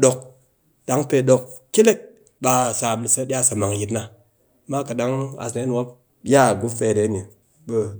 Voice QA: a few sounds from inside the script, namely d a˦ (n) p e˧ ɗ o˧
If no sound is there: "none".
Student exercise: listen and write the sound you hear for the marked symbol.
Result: ŋ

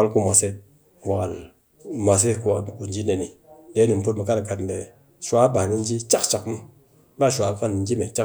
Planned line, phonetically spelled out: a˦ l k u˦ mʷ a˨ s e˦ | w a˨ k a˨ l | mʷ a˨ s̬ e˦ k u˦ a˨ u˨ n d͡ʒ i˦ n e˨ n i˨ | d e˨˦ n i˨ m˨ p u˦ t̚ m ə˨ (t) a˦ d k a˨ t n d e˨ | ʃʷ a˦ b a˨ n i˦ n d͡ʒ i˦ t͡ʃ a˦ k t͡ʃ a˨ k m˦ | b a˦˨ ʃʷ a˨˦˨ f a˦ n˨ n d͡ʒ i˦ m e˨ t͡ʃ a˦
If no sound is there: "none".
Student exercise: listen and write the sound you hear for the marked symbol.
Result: k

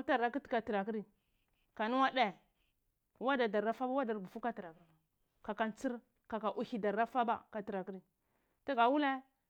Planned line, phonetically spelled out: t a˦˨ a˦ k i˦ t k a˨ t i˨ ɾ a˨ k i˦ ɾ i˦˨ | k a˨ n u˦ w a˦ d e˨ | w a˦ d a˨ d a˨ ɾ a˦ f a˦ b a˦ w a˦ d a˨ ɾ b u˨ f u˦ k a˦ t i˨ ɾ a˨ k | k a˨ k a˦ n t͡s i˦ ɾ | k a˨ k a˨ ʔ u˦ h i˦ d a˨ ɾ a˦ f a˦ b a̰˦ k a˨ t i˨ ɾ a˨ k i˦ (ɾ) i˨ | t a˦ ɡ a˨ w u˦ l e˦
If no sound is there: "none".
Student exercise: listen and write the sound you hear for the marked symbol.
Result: ɾ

